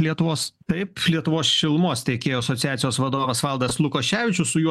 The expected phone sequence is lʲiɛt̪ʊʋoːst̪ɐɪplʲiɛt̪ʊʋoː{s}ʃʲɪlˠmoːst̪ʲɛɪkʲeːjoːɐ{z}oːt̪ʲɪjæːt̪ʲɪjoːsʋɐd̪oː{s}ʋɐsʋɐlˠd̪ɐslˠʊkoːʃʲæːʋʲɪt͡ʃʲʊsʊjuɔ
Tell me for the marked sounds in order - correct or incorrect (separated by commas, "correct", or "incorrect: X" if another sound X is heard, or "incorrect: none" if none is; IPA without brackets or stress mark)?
correct, incorrect: s, incorrect: none